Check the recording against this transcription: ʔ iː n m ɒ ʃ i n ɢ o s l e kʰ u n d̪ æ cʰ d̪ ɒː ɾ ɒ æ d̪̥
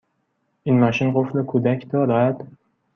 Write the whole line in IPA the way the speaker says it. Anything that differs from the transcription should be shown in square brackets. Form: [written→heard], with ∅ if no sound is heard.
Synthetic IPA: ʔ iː n m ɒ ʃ i n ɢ o [s→f] l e kʰ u [n→∅] d̪ æ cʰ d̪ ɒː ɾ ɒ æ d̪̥